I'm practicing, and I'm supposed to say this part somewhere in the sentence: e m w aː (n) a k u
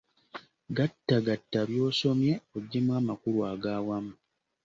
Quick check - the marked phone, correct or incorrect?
incorrect: m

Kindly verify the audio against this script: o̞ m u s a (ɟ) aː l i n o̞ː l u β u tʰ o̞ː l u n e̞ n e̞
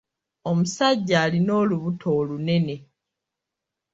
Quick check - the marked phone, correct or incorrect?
incorrect: ɟː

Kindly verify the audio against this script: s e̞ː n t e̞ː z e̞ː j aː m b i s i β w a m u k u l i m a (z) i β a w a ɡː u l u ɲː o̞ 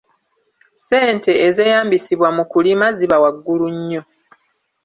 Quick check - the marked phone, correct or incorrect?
correct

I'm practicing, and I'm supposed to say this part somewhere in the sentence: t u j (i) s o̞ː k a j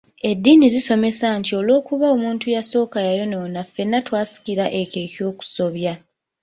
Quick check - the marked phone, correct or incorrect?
incorrect: a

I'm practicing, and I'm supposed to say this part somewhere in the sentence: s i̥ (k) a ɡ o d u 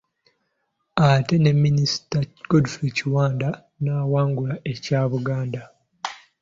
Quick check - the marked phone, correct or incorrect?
incorrect: t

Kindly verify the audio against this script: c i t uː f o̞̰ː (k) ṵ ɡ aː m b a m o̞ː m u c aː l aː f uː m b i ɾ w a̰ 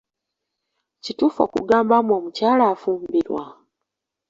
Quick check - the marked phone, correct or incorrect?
correct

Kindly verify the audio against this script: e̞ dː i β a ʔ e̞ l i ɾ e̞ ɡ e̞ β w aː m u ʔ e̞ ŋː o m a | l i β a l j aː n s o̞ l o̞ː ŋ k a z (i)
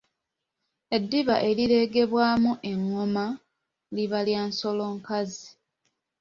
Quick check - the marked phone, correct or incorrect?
correct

